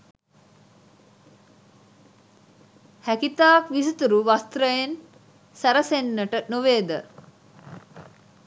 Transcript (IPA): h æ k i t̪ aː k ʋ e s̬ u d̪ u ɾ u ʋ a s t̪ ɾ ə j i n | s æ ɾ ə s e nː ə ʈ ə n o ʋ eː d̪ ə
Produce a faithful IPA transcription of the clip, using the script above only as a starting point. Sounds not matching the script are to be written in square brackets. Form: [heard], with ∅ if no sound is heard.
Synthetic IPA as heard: h æ k i t̪ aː k ʋ [i] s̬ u [t̪] u ɾ u ʋ a s t̪ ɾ ə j [e] n | s æ ɾ ə s e nː ə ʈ ə n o ʋ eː d̪ ə